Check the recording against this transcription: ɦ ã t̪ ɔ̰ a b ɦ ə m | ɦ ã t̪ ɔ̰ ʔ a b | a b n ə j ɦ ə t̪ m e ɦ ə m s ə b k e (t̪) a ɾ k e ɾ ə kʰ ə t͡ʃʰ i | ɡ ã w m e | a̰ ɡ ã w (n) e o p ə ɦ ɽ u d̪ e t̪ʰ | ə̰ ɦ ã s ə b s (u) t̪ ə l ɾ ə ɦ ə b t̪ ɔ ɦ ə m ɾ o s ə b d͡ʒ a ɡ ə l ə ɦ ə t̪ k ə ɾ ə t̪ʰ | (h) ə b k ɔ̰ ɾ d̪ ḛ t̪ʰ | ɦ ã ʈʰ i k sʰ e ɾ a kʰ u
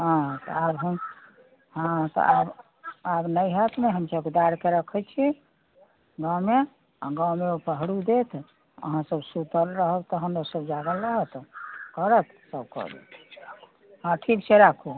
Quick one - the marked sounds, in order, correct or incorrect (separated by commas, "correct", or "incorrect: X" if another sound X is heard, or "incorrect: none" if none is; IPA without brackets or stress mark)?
incorrect: d̪, incorrect: m, correct, incorrect: s